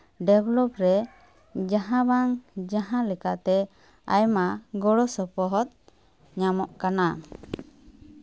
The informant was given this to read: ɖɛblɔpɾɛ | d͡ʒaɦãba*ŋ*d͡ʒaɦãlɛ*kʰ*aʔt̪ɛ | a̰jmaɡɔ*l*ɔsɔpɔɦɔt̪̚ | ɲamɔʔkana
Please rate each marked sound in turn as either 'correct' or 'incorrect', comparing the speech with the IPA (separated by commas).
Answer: correct, incorrect, incorrect